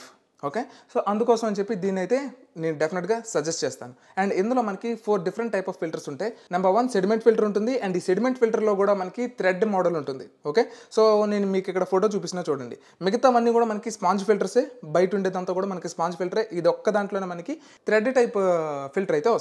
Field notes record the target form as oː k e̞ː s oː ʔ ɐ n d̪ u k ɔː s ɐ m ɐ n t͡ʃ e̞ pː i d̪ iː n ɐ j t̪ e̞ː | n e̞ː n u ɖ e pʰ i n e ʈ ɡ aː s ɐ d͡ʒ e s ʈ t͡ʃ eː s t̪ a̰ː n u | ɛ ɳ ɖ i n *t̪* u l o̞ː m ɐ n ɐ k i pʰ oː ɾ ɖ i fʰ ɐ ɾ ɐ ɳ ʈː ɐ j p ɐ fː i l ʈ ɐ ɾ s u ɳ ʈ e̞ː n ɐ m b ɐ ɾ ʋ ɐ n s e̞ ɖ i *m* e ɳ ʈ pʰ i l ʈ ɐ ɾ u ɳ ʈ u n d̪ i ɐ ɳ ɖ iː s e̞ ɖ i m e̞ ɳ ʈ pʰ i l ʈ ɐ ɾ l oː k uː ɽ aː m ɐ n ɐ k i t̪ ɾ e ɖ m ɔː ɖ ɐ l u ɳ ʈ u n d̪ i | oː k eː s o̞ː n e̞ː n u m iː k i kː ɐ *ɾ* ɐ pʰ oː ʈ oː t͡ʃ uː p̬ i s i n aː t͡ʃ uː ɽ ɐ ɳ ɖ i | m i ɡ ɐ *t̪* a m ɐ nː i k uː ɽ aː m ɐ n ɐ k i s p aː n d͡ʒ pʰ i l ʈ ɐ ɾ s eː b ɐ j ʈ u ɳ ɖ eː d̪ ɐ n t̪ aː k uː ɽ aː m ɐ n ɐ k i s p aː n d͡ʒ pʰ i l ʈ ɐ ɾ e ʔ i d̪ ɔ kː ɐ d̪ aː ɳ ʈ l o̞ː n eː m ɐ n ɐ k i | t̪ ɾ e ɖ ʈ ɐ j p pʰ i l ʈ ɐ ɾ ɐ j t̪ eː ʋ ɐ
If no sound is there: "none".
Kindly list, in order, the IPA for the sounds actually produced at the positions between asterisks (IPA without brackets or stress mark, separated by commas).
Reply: d̪, m, ɽ, t̪